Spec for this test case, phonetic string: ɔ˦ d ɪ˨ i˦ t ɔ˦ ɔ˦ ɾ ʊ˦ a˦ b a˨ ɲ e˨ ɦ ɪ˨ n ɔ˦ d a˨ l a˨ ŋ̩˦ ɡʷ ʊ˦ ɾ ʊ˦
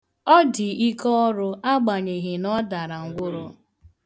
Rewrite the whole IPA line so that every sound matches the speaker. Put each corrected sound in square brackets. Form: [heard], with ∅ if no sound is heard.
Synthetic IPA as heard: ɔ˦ d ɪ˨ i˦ [k] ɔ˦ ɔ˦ ɾ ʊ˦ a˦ [ɡ͡b] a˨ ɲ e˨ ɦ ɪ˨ n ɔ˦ d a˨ [ɾ] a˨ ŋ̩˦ ɡʷ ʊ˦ ɾ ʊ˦